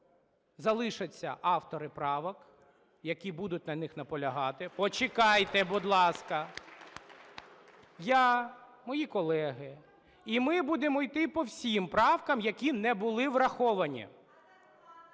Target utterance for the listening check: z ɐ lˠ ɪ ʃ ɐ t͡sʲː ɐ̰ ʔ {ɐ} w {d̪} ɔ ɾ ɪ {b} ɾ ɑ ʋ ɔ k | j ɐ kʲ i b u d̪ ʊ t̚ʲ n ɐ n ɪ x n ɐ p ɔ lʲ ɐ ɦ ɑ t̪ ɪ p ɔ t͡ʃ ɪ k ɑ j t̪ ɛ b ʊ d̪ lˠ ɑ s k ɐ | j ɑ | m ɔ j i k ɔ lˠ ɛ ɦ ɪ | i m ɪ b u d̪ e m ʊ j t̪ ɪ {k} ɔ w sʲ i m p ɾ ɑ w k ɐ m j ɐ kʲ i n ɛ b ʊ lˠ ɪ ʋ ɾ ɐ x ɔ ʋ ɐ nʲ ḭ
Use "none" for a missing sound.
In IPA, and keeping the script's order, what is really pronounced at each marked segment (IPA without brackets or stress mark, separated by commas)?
ɑ, t̪, p, p